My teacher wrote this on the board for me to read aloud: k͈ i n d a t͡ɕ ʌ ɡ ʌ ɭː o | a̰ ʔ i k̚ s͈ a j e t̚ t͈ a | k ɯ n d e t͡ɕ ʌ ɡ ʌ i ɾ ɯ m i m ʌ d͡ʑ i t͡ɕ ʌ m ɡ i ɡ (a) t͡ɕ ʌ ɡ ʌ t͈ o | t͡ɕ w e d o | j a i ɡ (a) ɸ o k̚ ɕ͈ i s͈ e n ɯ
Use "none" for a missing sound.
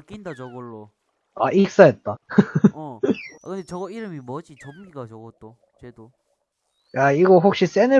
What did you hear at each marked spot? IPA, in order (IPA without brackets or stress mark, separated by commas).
a, ʌ